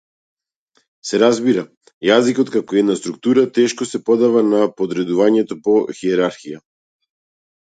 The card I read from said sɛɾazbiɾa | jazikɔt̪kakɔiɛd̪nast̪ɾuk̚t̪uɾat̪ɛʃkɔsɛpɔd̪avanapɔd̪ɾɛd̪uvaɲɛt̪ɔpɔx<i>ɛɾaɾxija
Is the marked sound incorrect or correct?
correct